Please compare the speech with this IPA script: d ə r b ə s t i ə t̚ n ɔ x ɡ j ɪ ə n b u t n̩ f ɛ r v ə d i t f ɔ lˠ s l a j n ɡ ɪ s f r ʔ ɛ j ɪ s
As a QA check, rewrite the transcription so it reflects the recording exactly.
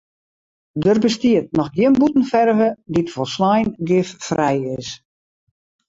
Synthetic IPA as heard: d ə r b ə s t i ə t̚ n ɔ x ɡ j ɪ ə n b u t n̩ f ɛ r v ə d i t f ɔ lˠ s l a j n ɡ ɪ f f r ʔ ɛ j ɪ s